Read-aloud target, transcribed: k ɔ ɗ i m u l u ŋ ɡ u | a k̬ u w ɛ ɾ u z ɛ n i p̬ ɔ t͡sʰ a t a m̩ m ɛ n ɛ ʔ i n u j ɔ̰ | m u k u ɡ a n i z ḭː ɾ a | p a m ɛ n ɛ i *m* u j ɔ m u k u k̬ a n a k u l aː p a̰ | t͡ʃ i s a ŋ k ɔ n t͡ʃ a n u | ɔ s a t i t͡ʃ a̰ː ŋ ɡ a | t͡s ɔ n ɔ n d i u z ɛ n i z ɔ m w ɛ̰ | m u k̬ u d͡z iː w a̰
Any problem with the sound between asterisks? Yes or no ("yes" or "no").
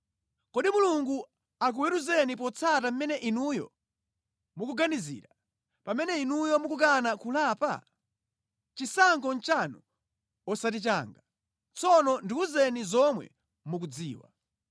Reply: yes